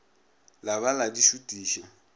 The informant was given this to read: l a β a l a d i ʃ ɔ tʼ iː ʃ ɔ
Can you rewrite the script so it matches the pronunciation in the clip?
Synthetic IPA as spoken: l a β a l a d i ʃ u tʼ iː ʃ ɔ